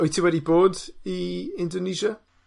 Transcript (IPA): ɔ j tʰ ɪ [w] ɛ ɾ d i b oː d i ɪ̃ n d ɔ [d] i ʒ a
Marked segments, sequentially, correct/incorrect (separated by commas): correct, incorrect